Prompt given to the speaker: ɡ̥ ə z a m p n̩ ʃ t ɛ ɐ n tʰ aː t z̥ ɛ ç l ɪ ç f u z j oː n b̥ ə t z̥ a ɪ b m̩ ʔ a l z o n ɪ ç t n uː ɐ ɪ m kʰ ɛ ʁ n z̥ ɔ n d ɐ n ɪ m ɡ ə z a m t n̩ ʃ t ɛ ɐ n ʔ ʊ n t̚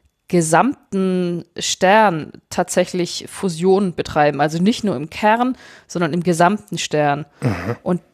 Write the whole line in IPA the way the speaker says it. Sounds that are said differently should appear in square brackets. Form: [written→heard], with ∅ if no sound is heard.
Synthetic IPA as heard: ɡ̥ ə z a m [p→t] n̩ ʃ t ɛ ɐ n tʰ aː t z̥ ɛ ç l ɪ ç f u z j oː n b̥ ə t [z̥→ʁ̥] a ɪ b m̩ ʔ a l z o n ɪ ç t n uː ɐ ɪ m kʰ ɛ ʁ n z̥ ɔ n d ɐ n ɪ m ɡ ə z a m t n̩ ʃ t ɛ ɐ n ʔ ʊ n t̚